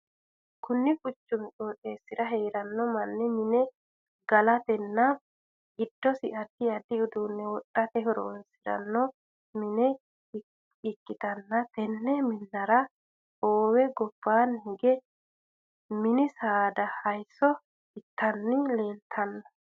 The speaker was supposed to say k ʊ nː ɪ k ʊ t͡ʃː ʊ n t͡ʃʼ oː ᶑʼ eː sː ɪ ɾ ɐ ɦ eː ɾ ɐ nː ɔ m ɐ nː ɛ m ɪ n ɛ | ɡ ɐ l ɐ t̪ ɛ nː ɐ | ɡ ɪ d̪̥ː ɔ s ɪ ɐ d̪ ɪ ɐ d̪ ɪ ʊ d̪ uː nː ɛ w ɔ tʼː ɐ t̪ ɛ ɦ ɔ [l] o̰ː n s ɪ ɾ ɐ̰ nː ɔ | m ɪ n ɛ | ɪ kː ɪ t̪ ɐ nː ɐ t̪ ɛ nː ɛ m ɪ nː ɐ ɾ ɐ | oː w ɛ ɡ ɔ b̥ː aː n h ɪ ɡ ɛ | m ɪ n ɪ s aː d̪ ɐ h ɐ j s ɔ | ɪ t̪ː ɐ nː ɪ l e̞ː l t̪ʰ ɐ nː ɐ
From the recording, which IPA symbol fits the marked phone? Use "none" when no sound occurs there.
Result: ɾ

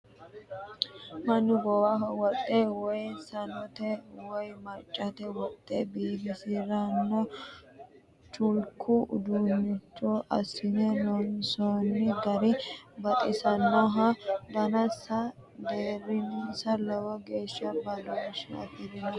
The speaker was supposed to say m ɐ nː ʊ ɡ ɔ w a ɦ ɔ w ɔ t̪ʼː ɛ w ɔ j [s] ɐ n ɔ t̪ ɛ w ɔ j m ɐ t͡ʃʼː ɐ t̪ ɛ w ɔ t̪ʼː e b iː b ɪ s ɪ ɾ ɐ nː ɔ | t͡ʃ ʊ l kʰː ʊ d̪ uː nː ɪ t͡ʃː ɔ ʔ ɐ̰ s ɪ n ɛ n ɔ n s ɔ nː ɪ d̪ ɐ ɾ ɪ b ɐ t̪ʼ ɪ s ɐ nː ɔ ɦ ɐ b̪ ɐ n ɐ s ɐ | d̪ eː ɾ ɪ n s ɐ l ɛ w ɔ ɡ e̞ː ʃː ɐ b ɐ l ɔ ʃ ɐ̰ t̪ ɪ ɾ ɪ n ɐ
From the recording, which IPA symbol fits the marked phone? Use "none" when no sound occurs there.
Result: s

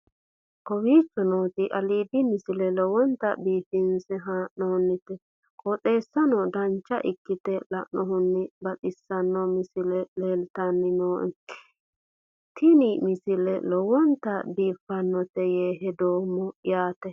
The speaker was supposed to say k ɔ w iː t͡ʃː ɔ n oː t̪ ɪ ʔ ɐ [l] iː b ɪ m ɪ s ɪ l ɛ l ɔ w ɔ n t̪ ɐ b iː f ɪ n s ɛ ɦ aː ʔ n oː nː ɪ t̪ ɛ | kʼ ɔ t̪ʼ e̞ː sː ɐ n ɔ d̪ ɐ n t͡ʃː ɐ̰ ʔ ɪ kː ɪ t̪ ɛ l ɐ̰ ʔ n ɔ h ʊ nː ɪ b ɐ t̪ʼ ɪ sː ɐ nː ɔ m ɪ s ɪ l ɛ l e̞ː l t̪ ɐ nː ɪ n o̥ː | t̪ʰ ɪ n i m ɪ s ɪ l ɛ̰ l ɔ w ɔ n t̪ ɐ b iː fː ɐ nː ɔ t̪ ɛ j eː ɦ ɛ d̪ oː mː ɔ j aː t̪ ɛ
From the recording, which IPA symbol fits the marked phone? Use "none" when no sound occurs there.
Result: l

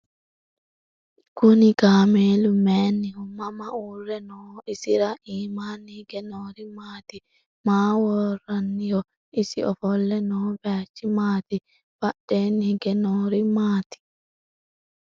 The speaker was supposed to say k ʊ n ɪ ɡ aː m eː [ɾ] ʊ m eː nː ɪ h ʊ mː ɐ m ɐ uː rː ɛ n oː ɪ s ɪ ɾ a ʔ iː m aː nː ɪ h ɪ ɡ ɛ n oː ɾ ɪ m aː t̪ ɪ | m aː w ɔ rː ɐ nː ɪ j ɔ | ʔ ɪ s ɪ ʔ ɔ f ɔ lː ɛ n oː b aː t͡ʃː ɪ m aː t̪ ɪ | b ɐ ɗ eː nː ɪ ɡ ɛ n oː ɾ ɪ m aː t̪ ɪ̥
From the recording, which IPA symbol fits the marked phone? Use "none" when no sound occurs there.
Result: l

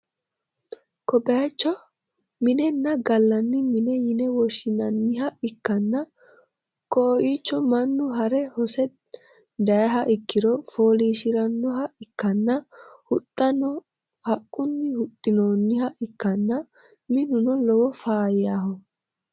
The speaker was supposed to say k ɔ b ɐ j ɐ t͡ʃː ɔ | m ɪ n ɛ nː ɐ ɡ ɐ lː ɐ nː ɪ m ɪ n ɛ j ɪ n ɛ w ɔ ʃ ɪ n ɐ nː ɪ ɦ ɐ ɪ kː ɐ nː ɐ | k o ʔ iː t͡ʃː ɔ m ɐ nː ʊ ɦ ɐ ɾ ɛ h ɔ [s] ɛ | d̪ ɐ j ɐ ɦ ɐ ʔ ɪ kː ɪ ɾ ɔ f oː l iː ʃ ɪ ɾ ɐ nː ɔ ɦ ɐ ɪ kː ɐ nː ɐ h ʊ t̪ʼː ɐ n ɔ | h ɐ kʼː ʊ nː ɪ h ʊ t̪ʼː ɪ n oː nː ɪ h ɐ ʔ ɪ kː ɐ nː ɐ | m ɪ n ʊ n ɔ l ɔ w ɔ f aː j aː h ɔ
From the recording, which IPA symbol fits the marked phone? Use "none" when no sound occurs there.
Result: s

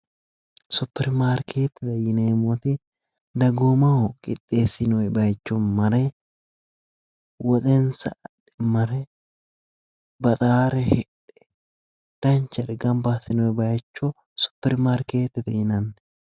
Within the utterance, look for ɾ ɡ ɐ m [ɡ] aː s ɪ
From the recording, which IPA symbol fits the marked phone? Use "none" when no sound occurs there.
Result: b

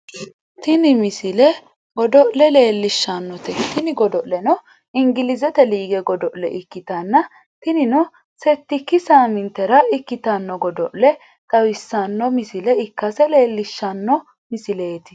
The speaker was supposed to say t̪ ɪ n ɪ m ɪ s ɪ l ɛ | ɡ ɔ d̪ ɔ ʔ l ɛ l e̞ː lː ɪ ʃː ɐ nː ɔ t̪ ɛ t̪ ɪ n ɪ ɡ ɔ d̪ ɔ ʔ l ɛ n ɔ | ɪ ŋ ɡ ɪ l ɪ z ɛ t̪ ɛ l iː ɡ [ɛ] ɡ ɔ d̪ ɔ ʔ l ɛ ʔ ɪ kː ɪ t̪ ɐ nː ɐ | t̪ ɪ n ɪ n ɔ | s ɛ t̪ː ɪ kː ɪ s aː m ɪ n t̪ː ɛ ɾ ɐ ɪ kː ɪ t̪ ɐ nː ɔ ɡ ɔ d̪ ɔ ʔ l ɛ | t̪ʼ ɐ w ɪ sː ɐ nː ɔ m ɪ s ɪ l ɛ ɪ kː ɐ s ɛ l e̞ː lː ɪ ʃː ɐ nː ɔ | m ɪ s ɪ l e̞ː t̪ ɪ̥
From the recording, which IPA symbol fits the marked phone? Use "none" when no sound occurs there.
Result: ɛ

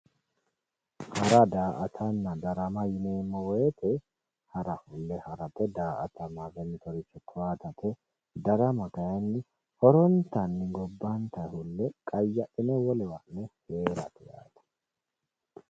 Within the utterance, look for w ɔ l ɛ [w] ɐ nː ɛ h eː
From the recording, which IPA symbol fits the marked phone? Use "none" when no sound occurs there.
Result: w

